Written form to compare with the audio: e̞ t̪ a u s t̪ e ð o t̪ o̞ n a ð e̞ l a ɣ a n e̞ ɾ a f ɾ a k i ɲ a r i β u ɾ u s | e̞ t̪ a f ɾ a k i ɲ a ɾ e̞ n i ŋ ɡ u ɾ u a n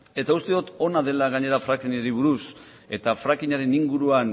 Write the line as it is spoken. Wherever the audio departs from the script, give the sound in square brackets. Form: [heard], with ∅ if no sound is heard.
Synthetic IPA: e̞ t̪ a u s t̪ e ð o t̪ o̞ n a ð e̞ l a ɣ a [ɲ] e̞ ɾ a f ɾ a k i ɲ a [ɾ] i β u ɾ u s | e̞ t̪ a f ɾ a k i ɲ a ɾ e̞ n i ŋ ɡ u ɾ u a n